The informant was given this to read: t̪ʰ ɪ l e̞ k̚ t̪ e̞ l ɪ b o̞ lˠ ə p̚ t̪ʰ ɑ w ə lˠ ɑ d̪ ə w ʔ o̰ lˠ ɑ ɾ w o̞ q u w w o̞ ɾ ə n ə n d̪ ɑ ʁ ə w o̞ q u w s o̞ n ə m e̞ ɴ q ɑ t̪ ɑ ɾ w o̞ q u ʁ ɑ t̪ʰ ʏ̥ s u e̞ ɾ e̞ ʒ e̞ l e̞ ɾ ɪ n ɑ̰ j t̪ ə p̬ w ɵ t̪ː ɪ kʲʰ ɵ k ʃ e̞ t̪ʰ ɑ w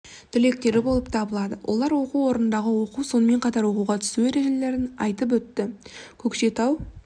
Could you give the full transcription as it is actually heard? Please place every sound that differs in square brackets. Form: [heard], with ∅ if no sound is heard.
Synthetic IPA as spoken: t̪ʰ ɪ l e̞ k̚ t̪ e̞ [ɾ] ɪ b o̞ lˠ ə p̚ t̪ʰ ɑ [b] ə lˠ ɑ d̪ ə w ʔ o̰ lˠ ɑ ɾ w o̞ q u w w o̞ ɾ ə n ə n d̪ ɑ ʁ ə w o̞ q u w s o̞ n ə m e̞ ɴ q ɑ t̪ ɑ ɾ w o̞ q u ʁ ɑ t̪ʰ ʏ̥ s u e̞ ɾ e̞ ʒ e̞ l e̞ ɾ ɪ n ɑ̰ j t̪ ə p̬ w ɵ t̪ː ɪ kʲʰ ɵ k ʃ e̞ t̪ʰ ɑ w

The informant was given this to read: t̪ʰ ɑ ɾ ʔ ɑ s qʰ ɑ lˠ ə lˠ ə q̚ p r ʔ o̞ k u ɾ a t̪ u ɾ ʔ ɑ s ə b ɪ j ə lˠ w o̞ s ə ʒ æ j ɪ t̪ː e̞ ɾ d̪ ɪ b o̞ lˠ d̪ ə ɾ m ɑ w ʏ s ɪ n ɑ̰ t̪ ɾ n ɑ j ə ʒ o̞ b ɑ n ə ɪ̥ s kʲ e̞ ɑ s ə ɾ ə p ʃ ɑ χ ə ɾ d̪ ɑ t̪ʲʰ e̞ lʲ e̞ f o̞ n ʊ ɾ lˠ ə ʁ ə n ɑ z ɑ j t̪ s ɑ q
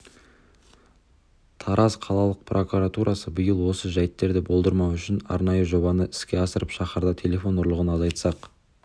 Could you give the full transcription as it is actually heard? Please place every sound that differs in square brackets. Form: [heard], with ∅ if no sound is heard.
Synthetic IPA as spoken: t̪ʰ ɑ ɾ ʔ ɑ [z] qʰ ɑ lˠ [ɑ] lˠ ə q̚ p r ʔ o̞ k u ɾ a t̪ u ɾ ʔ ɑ s ə b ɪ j ə lˠ w o̞ s ə ʒ æ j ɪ t̪ː e̞ ɾ d̪ ɪ b o̞ lˠ d̪ ə ɾ m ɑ w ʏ [ʃ] ɪ n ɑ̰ [∅] ɾ n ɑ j ə ʒ o̞ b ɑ n ə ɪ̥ s kʲ e̞ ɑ s ə ɾ ə p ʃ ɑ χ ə ɾ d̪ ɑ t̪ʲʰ e̞ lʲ e̞ f o̞ n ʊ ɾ lˠ ə ʁ ə n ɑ z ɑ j t̪ s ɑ q

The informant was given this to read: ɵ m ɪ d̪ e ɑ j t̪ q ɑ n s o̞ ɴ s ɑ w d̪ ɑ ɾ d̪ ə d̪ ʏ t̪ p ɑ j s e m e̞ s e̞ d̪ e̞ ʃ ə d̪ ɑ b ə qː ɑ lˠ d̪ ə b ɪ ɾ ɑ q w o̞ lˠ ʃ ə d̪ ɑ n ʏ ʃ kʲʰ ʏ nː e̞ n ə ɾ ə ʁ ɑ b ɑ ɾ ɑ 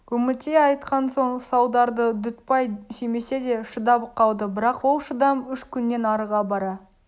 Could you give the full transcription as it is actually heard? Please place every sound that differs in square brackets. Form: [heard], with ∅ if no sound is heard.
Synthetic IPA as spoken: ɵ m ɪ [t̪] e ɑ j t̪ q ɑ n s o̞ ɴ s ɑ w d̪ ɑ ɾ d̪ ə d̪ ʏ t̪ p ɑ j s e m e̞ s e̞ d̪ e̞ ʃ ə d̪ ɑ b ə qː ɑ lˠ d̪ ə b ɪ ɾ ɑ q w o̞ lˠ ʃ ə d̪ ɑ [m] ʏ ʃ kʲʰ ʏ nː e̞ n [ɑ] ɾ ə ʁ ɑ b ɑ ɾ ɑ

